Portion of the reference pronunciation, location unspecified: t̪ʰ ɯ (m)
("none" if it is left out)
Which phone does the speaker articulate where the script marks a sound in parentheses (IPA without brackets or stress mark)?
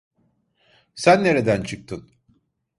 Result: n